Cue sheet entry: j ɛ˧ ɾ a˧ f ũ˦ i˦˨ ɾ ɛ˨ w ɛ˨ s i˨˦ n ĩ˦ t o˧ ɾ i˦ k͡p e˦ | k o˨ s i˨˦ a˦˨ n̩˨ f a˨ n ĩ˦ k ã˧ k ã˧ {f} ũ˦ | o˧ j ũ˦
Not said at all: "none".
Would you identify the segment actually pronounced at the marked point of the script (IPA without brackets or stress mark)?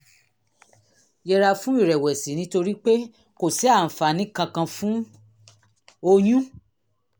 f